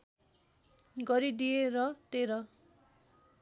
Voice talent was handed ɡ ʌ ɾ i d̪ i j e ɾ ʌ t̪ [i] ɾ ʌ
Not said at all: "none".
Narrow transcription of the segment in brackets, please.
e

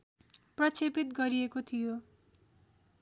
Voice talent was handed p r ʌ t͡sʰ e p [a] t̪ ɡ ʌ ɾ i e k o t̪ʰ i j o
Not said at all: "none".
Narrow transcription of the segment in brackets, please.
i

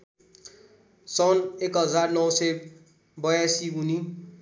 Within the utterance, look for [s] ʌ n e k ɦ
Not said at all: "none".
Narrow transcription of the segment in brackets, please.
s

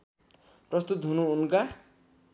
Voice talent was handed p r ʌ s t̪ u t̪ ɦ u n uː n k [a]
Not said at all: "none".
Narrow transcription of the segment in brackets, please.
a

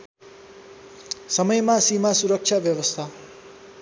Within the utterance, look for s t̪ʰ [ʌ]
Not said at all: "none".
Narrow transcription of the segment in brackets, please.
a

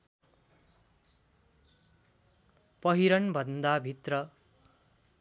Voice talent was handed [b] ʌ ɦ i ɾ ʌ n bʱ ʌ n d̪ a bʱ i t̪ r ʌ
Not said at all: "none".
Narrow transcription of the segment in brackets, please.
p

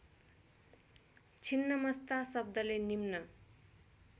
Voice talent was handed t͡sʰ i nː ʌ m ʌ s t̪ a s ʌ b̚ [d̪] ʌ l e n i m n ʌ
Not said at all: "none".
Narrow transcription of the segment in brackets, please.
d̪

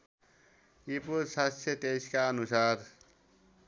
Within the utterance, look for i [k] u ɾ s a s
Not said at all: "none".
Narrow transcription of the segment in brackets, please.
p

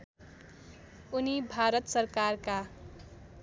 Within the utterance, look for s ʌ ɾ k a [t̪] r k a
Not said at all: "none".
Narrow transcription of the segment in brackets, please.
none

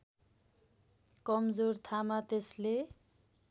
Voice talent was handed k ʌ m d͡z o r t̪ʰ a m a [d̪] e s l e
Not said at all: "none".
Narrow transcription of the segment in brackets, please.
t̪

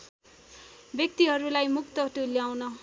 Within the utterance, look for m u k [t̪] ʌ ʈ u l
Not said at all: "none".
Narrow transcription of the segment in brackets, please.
t̪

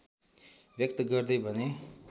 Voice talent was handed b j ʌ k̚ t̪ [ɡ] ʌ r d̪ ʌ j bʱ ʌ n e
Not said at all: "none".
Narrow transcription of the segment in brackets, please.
ɡ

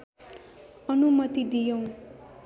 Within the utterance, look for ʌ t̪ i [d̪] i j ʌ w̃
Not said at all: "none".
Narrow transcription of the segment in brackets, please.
d̪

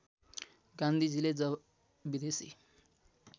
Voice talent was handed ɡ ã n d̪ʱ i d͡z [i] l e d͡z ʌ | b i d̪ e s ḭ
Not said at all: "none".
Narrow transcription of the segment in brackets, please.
i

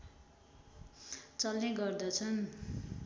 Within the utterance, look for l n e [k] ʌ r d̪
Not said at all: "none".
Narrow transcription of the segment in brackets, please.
ɡ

